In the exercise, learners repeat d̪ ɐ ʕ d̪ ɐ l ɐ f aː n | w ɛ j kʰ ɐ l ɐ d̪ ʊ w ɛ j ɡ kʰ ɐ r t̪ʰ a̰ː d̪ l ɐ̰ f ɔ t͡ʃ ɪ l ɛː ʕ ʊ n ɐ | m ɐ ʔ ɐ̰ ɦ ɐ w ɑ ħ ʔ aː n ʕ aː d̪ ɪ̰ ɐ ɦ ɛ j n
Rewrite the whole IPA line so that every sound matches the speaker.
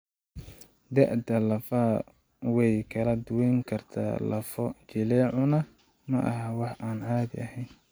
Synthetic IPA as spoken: d̪ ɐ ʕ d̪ ɐ l ɐ f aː | w ɛ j kʰ ɐ l ɐ d̪ ʊ w ɛ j ŋ kʰ ɐ r t̪ʰ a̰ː l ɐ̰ f ɔ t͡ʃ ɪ l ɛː ʕ ʊ n ɐ | m ɐ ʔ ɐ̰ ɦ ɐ w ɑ ħ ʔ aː n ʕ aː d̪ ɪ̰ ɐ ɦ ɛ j n